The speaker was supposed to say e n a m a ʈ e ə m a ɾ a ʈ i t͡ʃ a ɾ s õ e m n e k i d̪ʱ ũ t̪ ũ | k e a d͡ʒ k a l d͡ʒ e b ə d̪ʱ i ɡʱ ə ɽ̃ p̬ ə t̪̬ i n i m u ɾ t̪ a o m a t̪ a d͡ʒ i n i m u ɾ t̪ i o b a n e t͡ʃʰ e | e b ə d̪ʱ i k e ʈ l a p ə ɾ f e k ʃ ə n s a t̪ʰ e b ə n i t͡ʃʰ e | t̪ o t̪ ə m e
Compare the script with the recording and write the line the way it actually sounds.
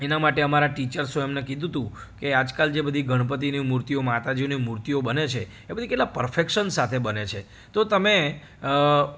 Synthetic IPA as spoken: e n a m a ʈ e ə m a ɾ a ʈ i t͡ʃ ə ɾ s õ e m n e k i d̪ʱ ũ t̪ ũ | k e a d͡ʒ k a l d͡ʒ e b ə d̪ʱ i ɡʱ ə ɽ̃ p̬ ə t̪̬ i n i m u ɾ t̪ i o m a t̪ a d͡ʒ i n i m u ɾ t̪ i o b ə n e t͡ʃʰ e | e b ə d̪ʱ i k e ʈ l a p ə ɾ f e k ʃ ə n s a t̪ʰ e b ə n e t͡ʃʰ e | t̪ o t̪ ə m e